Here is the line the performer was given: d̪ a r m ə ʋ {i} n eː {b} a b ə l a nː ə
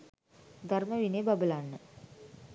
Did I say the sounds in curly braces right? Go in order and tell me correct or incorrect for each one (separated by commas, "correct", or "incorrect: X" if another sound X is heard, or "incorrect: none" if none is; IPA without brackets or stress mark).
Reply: correct, correct